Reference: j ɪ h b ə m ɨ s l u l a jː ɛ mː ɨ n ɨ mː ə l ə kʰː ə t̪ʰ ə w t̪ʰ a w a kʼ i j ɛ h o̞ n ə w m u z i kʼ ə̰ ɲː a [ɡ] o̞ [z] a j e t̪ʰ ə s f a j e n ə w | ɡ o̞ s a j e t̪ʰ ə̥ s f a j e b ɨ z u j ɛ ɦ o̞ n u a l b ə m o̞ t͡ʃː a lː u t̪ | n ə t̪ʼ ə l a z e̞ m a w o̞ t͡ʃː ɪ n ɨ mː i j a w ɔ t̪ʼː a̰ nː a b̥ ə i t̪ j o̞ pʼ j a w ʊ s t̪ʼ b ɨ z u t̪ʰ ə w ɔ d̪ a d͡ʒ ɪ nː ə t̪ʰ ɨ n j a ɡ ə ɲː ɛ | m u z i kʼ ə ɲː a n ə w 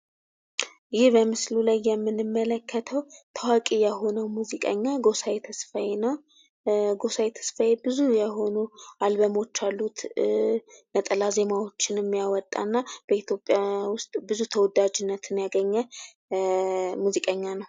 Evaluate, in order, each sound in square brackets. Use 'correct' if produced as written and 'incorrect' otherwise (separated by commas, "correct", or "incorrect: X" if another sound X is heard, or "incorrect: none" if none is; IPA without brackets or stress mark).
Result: correct, incorrect: s